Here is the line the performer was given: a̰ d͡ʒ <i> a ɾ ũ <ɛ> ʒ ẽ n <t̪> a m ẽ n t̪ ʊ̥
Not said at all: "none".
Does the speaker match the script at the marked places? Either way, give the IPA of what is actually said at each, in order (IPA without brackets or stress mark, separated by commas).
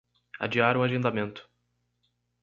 i, a, d̪